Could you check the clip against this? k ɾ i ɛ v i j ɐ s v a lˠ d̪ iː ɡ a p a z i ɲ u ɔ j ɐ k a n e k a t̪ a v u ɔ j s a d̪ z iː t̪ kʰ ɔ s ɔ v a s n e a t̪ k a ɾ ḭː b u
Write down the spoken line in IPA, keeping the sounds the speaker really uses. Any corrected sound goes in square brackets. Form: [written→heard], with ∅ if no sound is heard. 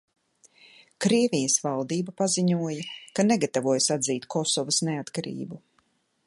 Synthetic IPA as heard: k ɾ i ɛ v i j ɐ s v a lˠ d̪ iː [ɡ→b] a p a z i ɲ u ɔ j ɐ k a n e [k→ɡ] a t̪ a v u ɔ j s a d̪ z iː t̪ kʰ ɔ s ɔ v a s n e a t̪ k a ɾ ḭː b u